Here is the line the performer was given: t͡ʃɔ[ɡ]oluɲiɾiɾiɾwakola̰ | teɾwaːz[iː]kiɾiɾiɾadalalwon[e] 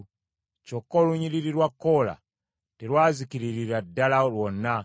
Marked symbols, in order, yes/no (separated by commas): no, no, no